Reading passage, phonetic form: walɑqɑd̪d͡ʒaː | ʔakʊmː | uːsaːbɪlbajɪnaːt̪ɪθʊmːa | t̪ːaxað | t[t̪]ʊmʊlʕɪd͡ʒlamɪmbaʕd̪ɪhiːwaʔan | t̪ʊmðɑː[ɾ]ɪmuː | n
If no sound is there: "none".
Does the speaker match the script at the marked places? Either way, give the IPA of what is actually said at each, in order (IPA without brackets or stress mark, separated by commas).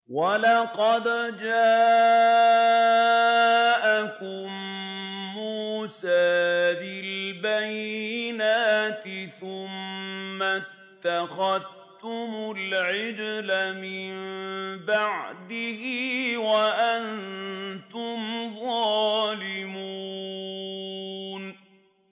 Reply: t̪, l